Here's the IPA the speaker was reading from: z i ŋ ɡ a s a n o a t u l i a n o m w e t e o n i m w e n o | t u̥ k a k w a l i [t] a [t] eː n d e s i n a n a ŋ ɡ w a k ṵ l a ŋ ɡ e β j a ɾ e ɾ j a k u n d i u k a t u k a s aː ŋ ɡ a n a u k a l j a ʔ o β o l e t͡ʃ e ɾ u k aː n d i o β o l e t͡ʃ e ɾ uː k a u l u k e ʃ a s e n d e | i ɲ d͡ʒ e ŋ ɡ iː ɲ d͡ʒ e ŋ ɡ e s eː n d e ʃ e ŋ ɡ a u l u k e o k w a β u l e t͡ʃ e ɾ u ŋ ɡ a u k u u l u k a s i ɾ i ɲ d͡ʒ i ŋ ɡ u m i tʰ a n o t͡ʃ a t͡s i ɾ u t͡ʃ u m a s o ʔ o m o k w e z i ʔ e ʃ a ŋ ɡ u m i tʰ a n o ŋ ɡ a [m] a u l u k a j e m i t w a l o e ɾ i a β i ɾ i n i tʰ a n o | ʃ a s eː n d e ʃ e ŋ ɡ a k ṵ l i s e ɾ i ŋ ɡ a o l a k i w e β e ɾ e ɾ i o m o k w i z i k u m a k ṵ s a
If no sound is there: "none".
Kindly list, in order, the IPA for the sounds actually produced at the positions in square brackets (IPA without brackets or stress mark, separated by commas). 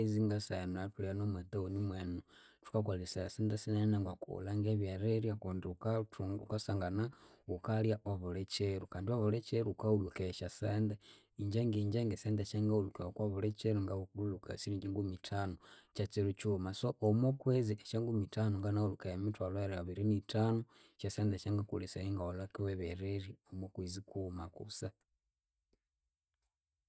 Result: s, s, n